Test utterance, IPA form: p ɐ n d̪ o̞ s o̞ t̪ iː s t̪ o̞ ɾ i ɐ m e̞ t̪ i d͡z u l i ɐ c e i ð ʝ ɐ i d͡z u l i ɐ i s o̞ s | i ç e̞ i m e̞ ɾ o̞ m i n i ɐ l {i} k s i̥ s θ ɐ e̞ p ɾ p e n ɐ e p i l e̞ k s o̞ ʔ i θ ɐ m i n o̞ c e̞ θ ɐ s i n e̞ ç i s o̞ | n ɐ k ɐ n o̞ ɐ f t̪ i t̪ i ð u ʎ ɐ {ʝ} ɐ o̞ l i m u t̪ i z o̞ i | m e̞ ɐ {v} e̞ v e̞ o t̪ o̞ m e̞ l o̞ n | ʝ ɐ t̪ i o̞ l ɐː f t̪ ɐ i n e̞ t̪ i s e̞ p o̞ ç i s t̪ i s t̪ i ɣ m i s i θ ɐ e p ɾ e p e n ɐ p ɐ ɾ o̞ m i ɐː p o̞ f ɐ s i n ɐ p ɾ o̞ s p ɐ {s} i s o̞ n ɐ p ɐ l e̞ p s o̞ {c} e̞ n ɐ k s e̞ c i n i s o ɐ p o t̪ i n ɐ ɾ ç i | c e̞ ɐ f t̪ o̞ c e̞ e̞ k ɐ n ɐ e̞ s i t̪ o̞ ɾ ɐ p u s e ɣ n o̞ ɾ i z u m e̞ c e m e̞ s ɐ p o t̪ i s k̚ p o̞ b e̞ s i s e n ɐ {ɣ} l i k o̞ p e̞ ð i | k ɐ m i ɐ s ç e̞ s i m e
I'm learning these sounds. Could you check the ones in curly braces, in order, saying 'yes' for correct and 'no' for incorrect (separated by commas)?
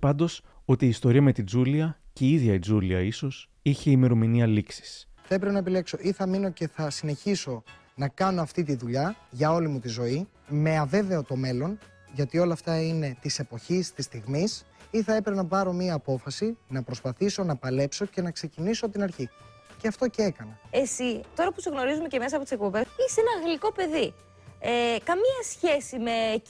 yes, yes, yes, no, yes, yes